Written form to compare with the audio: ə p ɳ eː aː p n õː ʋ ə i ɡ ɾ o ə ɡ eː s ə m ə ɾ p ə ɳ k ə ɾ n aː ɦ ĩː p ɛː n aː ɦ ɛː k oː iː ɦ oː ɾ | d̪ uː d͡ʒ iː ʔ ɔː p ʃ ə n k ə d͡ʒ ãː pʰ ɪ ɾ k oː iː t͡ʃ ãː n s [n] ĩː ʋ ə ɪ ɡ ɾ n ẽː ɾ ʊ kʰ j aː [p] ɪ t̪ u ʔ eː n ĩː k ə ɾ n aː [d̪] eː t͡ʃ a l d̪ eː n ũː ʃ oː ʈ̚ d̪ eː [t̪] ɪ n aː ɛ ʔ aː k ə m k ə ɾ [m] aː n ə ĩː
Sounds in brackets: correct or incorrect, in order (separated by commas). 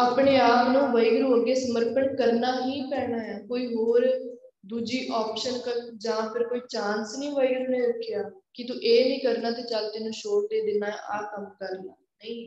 correct, incorrect, incorrect, incorrect, incorrect